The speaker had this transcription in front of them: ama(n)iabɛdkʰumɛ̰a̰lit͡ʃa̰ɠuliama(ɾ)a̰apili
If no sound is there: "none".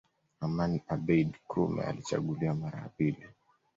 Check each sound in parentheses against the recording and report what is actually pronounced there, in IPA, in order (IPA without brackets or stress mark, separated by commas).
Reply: n, ɾ